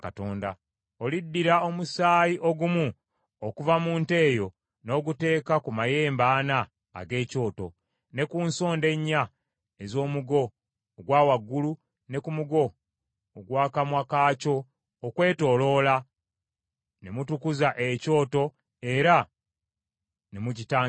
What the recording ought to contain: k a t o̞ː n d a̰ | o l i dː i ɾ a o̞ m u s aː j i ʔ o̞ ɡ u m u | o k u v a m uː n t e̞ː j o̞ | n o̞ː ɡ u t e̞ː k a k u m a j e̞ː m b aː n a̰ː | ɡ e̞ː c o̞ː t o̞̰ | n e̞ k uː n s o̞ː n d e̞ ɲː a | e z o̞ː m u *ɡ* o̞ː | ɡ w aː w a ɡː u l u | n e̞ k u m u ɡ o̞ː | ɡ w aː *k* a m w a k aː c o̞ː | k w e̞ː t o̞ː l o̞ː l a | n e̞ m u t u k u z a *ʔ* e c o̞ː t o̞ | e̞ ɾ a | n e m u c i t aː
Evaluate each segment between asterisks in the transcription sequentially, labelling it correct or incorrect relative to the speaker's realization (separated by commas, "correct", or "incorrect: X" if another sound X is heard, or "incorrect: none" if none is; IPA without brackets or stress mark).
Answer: correct, correct, correct